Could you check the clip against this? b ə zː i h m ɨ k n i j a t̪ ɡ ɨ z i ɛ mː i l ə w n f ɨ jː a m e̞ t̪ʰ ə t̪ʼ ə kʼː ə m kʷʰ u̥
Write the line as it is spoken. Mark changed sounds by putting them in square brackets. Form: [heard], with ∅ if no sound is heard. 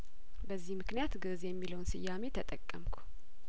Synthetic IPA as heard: b ə zː i h m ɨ k n i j a t̪ ɡ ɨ z [j] ɛ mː i l ə w n [s] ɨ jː a m e̞ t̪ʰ ə t̪ʼ ə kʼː ə m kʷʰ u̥